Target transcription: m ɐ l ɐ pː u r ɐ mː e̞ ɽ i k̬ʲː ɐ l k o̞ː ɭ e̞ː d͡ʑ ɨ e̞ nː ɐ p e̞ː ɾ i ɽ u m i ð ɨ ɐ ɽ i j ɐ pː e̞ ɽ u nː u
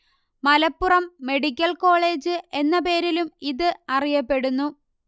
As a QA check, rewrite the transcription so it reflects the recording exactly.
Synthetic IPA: m ɐ l ɐ pː u r ɐ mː e̞ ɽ i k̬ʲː ɐ l k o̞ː ɭ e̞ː d͡ʑ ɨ e̞ nː ɐ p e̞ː ɾ i l u m i ð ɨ ɐ r i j ɐ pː e̞ ɽ u nː u